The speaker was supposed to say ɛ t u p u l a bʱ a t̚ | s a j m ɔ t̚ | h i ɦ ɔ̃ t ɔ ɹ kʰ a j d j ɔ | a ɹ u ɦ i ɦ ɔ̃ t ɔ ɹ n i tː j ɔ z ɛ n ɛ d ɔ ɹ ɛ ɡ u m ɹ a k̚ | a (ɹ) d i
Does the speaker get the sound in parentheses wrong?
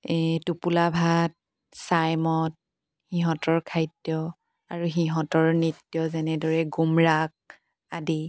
yes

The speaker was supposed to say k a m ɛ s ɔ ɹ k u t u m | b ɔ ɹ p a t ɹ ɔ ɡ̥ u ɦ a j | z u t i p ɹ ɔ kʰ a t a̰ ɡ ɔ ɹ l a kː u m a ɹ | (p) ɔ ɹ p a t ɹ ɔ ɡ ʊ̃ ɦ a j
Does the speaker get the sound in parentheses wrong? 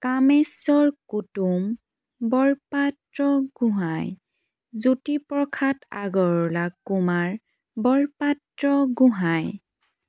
yes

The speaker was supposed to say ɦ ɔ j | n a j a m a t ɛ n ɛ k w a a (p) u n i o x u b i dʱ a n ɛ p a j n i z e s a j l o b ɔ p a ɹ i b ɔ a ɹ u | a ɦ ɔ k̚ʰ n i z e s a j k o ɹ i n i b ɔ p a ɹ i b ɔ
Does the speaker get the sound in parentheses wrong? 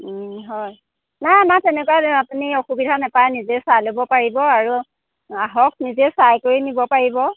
no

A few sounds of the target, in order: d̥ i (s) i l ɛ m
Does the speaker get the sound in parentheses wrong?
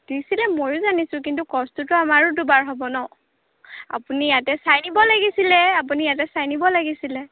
no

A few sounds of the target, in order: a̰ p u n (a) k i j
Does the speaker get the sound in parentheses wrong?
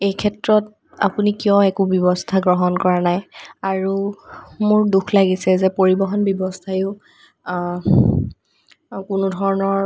yes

